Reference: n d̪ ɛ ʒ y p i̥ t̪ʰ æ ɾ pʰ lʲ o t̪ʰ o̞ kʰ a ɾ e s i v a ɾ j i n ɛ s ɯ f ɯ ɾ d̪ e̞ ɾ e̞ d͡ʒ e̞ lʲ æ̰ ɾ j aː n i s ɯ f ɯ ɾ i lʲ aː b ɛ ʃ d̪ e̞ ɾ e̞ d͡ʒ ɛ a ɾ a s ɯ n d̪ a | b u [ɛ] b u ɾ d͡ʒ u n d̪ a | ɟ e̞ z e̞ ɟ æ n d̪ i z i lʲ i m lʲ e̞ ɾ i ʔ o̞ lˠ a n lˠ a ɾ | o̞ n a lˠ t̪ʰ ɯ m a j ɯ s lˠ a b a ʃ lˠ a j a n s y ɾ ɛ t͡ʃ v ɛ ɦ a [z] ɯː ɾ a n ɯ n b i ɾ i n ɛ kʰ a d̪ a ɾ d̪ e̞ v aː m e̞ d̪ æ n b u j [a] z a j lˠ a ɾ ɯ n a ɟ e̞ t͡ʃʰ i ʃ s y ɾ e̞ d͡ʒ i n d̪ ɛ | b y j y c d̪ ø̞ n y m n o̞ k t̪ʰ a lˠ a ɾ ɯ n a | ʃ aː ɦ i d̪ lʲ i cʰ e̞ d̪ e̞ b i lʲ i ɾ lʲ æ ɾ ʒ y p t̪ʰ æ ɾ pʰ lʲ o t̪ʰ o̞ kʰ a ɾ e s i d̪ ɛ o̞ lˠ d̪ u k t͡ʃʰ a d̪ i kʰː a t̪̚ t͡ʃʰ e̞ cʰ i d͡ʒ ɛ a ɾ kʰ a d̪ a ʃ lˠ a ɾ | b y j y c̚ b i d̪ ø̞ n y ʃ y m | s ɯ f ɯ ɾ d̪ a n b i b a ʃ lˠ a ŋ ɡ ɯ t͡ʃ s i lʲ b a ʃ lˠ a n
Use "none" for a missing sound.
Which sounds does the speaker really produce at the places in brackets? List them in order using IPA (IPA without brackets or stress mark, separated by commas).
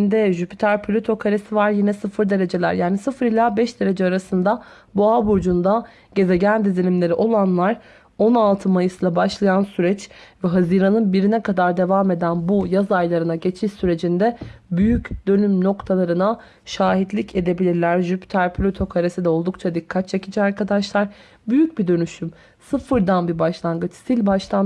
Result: a, z, a